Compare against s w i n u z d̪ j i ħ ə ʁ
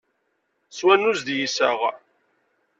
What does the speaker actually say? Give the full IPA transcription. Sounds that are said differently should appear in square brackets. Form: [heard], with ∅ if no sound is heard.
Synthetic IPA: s w [æ] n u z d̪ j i [s] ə ʁ